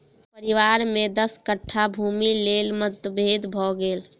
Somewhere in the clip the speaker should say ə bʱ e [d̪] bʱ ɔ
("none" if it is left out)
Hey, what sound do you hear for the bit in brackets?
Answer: d̪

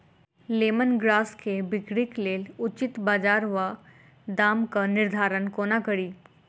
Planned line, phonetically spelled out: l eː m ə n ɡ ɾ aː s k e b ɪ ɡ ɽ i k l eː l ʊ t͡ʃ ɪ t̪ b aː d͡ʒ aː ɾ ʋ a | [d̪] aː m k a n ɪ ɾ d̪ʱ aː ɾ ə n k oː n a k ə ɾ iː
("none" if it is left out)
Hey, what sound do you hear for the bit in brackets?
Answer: d̪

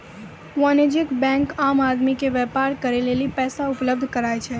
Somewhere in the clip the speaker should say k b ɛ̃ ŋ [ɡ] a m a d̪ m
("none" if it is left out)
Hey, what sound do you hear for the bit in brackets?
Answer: k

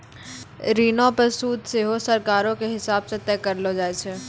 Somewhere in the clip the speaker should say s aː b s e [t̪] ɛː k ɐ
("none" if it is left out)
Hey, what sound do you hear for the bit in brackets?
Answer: t̪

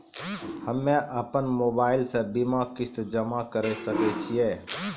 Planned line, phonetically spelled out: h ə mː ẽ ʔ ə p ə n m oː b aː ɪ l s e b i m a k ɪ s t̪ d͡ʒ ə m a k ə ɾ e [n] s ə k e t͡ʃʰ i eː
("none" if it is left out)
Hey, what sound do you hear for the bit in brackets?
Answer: none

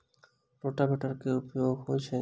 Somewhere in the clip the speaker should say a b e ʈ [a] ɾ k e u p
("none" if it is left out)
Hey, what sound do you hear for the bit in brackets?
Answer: a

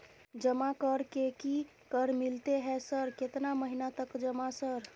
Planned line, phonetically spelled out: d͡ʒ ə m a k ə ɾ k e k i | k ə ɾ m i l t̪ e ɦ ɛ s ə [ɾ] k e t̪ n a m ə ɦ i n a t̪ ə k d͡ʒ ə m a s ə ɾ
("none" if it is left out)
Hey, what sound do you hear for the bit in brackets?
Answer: ɾ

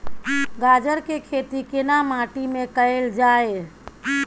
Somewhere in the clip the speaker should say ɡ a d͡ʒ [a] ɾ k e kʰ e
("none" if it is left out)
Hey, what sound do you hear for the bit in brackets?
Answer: ə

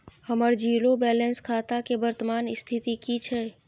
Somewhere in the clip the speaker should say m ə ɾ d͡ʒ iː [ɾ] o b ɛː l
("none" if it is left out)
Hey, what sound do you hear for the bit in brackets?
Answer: l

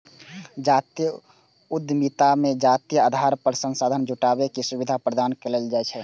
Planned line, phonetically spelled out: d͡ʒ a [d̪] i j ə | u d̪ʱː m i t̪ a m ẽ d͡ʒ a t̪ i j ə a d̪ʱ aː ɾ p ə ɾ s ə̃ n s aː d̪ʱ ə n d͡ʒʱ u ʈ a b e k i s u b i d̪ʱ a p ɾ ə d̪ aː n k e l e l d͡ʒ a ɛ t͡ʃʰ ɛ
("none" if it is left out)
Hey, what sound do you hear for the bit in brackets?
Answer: t̪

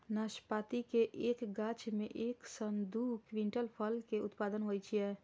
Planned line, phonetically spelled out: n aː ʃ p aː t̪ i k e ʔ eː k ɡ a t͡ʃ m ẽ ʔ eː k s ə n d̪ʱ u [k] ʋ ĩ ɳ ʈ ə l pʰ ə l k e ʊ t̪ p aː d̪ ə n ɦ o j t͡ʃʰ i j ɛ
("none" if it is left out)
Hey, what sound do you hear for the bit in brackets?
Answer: k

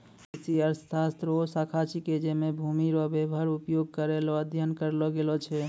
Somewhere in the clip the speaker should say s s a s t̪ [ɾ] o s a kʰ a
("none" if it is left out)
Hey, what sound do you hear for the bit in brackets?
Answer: ɾ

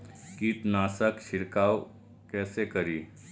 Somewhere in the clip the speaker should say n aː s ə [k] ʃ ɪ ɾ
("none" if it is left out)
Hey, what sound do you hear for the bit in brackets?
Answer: k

